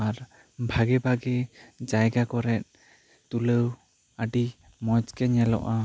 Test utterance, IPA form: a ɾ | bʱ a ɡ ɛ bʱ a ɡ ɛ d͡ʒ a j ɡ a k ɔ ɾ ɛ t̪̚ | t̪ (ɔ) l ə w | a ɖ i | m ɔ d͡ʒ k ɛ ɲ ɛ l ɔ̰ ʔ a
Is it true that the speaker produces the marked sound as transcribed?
no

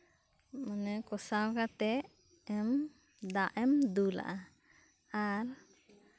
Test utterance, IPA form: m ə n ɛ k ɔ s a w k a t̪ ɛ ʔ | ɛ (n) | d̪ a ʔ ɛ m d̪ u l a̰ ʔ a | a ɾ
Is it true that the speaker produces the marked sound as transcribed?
no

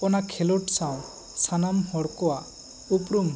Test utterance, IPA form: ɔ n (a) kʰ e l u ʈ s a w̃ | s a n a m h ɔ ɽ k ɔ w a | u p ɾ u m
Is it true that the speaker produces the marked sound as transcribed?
yes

